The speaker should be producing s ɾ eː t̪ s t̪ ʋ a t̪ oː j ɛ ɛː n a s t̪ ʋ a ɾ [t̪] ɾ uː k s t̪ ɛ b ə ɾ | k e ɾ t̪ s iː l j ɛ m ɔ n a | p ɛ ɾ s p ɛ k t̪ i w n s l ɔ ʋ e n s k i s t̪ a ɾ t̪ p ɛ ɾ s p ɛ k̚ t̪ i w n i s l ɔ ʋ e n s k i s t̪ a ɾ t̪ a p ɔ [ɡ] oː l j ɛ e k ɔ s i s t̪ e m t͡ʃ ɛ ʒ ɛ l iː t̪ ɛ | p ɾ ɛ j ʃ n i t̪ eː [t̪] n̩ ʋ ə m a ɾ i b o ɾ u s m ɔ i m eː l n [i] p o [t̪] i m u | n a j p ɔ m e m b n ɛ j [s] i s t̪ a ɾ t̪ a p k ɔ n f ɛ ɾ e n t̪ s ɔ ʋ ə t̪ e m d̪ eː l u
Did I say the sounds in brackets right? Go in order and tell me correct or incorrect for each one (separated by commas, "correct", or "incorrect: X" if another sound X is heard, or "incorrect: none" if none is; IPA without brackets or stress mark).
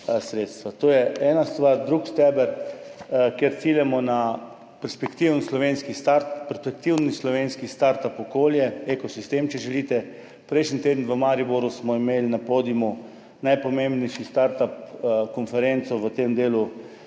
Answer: incorrect: d̪, incorrect: k, incorrect: d̪, incorrect: a, incorrect: d̪, incorrect: ʃ